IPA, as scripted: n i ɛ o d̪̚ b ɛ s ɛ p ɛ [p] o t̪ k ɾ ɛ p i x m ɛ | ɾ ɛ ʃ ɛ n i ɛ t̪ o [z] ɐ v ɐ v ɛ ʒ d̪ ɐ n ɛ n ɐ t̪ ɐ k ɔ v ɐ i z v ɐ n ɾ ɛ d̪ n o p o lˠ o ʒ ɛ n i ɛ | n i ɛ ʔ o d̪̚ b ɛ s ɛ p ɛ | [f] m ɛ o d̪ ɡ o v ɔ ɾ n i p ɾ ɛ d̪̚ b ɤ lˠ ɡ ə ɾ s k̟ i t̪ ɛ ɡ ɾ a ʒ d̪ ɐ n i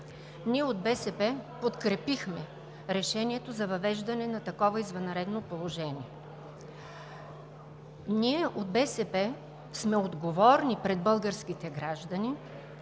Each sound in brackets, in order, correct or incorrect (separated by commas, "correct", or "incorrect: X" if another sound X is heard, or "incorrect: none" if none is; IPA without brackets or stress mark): correct, correct, incorrect: s